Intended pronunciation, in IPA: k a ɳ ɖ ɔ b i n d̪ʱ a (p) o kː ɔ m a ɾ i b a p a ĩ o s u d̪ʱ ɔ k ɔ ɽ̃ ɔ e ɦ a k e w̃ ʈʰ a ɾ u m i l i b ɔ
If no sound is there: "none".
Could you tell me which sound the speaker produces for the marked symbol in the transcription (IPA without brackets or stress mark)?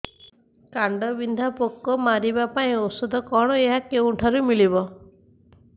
p